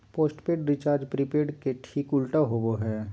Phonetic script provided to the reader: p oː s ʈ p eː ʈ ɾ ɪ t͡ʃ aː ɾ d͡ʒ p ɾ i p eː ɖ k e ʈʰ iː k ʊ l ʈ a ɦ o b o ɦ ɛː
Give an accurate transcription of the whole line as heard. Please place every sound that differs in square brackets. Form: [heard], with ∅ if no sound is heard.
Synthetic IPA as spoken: p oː s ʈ p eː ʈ ɾ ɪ t͡ʃ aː ɾ d͡ʒ p ɾ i p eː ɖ k e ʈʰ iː k ʊ l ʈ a ɦ o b o ɦ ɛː